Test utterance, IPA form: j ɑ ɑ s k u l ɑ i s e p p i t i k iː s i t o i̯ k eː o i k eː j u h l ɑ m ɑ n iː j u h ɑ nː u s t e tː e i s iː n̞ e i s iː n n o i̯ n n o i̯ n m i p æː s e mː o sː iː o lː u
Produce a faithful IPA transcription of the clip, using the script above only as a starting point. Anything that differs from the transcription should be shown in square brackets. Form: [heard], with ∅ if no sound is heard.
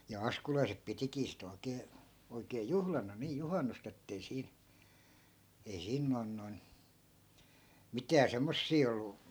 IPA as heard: j ɑ ɑ s k u l ɑ i s e p p i t i k iː s i t o i̯ k eː o i k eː j u h l ɑ [n] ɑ n iː j u h ɑ nː u s t e tː e i s iː n̞ e i s iː n n o i̯ n n o i̯ n m i [t] æː s e mː o sː iː o lː u